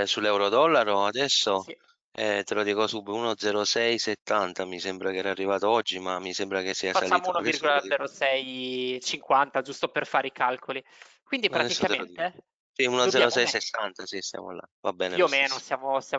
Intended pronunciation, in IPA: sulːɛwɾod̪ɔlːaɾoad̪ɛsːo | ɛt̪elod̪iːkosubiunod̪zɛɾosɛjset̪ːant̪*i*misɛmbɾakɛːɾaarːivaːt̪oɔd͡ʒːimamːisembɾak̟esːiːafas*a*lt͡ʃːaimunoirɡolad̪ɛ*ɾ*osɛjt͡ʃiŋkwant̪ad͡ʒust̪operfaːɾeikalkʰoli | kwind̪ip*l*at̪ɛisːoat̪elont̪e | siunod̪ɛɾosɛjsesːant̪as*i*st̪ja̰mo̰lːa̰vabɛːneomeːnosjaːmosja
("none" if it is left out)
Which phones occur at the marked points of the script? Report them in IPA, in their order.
a, a, ɾ, ɾ, i

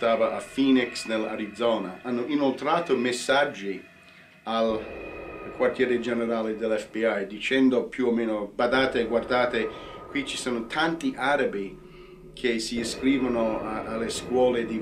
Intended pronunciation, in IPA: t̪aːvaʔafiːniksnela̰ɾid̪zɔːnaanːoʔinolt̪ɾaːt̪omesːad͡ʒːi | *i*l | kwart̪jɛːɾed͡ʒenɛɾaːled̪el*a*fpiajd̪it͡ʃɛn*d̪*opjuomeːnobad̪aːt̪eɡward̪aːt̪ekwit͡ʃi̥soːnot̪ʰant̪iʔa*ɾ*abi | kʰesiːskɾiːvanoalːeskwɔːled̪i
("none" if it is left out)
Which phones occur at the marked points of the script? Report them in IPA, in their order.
a, ɛ, d̪, ɾ

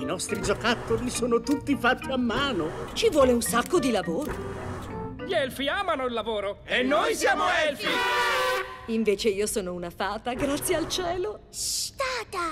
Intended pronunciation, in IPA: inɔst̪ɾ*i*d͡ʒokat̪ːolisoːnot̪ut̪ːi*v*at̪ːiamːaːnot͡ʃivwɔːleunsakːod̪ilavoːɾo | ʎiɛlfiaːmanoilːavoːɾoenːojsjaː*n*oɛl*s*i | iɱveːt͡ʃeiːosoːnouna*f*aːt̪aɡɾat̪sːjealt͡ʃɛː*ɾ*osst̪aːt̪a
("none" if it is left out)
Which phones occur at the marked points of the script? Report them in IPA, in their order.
i, f, m, f, f, l

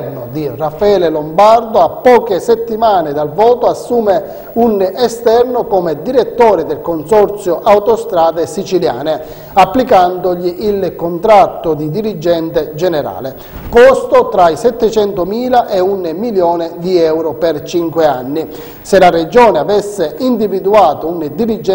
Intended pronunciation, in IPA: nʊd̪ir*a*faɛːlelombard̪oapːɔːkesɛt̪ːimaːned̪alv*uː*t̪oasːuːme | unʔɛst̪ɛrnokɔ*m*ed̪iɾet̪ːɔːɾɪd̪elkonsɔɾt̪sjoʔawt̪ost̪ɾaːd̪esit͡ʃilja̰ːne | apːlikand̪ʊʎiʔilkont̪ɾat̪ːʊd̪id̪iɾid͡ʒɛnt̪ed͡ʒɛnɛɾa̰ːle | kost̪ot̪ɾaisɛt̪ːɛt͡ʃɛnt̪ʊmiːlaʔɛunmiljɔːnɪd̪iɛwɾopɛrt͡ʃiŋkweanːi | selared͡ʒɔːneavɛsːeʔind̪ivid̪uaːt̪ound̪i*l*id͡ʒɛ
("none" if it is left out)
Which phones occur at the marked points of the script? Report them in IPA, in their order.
a, ɔː, m, ɾ

